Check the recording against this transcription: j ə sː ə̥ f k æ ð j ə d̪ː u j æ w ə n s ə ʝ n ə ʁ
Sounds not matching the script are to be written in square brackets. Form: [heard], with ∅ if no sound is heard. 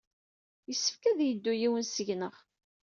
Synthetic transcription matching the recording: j ə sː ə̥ f k æ ð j ə d̪ː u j [i] w ə n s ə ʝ n ə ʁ